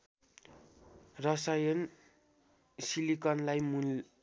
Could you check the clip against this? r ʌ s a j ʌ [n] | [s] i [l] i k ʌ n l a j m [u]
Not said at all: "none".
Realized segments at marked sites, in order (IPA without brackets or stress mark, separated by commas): n, s, l, u